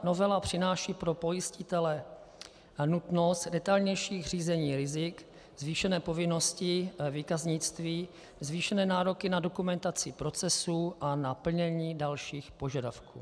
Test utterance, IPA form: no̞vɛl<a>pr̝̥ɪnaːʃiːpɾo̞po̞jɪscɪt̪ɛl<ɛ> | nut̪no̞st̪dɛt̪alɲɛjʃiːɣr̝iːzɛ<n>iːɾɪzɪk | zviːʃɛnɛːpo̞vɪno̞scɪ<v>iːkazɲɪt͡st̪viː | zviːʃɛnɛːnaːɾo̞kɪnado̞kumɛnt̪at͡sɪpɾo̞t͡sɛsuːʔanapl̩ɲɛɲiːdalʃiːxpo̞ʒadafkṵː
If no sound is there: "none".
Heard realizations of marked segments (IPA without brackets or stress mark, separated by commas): a, ɛ, ɲ, v